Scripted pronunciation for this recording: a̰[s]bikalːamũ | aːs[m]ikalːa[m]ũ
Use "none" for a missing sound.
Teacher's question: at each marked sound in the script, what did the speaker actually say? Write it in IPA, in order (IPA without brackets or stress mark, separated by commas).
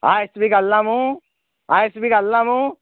s, b, m